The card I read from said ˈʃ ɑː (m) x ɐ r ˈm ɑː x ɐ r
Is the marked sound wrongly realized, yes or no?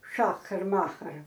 yes